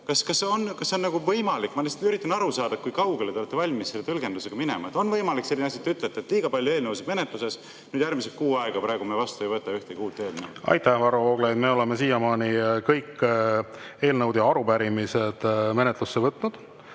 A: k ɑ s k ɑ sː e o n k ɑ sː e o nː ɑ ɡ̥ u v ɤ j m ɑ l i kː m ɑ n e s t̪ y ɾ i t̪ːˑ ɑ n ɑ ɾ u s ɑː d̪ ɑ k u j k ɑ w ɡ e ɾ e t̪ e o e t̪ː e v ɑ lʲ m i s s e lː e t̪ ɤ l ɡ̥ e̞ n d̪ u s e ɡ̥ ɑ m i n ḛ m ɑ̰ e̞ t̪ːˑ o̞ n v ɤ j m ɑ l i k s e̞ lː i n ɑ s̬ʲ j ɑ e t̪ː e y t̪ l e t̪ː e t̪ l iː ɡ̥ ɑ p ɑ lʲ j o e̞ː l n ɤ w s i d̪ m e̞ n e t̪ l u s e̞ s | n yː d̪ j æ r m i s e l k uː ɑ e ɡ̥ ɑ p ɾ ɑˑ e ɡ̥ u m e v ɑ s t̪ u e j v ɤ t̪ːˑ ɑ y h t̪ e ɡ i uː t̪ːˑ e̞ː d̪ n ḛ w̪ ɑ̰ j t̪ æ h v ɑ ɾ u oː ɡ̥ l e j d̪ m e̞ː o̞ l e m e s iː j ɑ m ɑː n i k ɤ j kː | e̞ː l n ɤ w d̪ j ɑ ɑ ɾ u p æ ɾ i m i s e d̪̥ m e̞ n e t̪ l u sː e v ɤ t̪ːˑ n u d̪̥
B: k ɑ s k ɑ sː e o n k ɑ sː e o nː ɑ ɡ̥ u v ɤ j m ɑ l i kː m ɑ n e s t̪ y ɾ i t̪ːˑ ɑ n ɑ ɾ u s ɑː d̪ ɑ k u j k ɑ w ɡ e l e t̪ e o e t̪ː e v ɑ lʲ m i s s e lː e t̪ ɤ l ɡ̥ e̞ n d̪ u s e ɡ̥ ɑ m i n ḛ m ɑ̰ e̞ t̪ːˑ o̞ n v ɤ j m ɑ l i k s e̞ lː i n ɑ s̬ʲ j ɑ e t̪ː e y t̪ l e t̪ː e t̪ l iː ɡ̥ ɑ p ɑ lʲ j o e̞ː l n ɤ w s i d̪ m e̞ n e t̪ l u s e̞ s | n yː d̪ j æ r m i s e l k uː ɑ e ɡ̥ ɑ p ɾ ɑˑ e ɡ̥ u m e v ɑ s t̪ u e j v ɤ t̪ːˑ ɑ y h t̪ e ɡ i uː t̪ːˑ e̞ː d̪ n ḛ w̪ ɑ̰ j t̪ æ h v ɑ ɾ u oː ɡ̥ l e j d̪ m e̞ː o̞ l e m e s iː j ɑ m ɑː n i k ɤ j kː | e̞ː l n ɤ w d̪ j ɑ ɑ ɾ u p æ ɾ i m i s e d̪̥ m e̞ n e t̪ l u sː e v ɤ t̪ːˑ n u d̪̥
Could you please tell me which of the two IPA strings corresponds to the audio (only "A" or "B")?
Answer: B